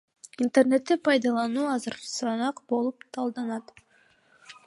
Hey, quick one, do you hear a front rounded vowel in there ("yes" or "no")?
no